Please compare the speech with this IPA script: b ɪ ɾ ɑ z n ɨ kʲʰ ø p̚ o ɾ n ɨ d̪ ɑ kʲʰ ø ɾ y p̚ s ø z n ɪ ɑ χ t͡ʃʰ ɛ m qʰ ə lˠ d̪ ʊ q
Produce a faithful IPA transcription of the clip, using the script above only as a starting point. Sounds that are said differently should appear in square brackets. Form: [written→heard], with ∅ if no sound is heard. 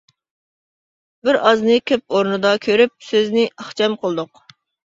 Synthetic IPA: b ɪ ɾ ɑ z n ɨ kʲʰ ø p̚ o ɾ n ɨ d̪ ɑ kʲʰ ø ɾ y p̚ s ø z n ɪ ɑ χ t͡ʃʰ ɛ m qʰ ə lˠ d̪ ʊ q